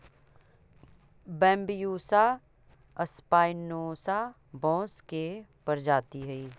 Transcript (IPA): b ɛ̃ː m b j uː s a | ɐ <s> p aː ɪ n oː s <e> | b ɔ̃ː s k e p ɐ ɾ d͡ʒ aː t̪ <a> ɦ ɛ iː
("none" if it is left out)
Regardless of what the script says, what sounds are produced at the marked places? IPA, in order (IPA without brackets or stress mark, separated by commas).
s, a, i